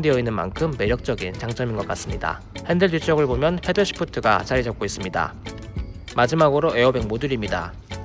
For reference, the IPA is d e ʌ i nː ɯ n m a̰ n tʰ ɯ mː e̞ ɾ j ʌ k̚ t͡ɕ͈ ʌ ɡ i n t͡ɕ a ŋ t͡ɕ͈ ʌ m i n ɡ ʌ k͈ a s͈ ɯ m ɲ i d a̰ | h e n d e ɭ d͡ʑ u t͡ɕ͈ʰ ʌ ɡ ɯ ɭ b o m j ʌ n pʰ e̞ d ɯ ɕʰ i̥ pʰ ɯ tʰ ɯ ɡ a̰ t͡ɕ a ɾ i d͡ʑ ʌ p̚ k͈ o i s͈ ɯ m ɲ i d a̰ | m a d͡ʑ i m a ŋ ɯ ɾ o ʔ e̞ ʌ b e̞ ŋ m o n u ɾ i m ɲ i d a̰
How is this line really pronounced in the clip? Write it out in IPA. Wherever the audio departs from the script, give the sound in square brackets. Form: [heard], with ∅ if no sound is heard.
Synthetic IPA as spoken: d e ʌ i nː ɯ n m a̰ n [kʰ] ɯ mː e̞ ɾ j ʌ k̚ t͡ɕ͈ ʌ ɡ i n t͡ɕ a ŋ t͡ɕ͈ ʌ m i n ɡ ʌ k͈ a s͈ ɯ m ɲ i d a̰ | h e n d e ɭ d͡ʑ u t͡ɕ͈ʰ ʌ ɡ ɯ ɭ b o m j ʌ n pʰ e̞ d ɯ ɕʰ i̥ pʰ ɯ tʰ ɯ ɡ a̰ t͡ɕ a ɾ i d͡ʑ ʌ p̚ k͈ o i s͈ ɯ m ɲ i d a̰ | m a d͡ʑ i m a [ɡ] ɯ ɾ o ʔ e̞ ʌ b e̞ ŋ m o [d] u ɾ i m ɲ i d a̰